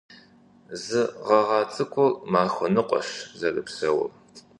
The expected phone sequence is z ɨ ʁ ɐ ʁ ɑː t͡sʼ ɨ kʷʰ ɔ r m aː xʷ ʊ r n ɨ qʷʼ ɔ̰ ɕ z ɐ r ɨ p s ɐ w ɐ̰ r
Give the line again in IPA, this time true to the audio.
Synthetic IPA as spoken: z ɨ ʁ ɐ ʁ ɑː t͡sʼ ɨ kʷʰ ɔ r m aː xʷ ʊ n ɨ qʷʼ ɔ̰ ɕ z ɐ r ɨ p s ɐ w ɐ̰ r